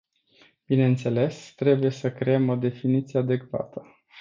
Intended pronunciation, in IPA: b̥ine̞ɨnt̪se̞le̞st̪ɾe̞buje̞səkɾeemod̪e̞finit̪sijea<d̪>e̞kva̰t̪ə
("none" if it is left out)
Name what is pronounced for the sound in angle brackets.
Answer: d̪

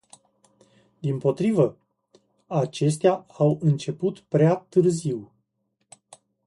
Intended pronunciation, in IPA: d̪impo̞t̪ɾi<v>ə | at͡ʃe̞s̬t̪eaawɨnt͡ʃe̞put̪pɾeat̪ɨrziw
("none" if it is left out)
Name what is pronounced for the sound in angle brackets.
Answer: v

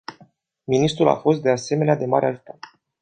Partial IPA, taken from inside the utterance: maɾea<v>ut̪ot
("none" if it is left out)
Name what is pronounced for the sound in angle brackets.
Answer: ʒ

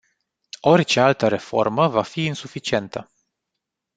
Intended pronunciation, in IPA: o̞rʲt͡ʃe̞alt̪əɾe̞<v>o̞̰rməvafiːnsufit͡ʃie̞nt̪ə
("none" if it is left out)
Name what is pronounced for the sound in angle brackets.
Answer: f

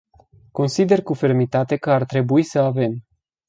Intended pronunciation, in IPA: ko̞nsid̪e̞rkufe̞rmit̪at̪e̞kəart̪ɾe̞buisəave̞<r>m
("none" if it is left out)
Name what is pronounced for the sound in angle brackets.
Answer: none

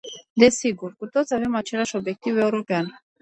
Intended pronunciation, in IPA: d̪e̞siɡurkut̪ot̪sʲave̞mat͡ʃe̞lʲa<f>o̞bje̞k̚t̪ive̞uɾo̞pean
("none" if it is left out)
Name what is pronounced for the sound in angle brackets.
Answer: ʃ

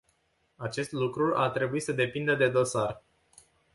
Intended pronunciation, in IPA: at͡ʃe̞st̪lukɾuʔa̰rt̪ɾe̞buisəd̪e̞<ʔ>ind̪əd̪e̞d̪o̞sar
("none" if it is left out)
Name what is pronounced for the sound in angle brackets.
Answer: p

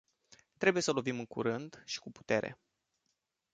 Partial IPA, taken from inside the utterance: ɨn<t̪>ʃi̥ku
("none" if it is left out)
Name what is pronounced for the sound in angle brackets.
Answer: d̪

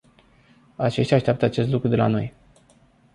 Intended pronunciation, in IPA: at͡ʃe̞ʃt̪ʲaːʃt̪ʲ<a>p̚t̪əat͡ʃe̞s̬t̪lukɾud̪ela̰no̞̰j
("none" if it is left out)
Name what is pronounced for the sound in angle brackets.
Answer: a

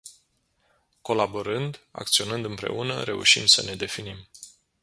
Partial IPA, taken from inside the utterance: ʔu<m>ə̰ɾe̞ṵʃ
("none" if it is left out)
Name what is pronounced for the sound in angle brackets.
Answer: n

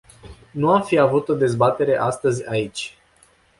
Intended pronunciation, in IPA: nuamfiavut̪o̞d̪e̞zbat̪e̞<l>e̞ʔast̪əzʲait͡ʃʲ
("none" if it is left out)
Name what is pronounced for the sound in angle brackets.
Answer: ɾ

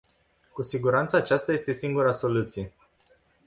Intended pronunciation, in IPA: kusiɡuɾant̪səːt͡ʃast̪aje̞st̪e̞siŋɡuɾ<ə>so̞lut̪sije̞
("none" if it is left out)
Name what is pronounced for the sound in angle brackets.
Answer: a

